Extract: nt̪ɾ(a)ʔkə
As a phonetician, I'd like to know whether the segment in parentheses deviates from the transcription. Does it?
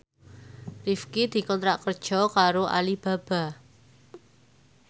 no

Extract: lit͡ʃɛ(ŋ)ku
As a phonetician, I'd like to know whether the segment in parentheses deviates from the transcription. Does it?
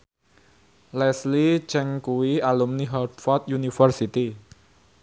no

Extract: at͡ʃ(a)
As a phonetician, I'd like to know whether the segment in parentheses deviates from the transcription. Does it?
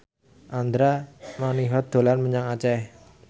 yes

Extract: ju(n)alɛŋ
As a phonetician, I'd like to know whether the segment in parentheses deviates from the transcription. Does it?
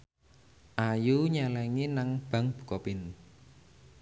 yes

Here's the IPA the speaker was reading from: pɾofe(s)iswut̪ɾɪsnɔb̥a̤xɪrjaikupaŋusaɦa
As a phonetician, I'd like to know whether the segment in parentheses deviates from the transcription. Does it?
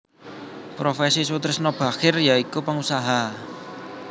no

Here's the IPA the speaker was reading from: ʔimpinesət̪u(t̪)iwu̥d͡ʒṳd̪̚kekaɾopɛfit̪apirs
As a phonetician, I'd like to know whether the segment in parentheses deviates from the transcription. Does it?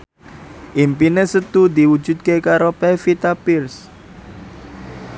yes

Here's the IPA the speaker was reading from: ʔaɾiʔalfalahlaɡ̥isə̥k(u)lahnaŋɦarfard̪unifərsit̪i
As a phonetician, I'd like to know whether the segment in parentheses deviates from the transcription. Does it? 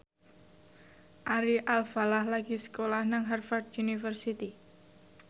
yes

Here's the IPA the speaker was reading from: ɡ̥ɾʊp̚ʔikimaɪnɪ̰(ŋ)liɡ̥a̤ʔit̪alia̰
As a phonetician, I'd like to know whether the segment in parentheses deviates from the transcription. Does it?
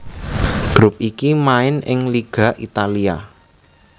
no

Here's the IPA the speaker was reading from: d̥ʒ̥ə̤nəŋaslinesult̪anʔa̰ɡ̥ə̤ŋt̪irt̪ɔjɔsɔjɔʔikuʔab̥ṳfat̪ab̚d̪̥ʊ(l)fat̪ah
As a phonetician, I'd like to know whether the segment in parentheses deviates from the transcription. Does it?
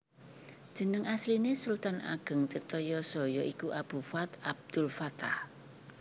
no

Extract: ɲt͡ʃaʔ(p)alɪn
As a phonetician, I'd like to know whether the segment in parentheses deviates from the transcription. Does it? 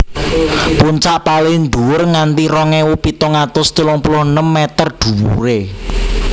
no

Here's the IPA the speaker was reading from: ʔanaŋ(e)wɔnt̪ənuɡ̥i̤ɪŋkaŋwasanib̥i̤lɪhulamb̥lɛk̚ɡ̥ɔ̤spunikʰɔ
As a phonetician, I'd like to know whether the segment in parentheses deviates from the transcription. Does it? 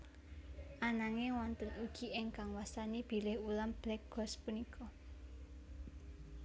no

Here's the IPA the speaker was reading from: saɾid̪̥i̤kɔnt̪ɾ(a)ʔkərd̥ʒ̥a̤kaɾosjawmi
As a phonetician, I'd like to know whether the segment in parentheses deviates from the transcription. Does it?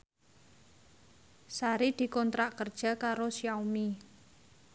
no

